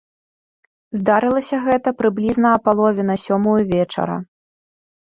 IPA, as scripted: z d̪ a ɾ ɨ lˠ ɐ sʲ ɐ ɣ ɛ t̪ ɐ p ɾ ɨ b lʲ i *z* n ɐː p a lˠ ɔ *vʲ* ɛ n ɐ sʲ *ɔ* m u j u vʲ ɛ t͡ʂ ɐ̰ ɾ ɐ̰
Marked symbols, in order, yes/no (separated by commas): yes, yes, yes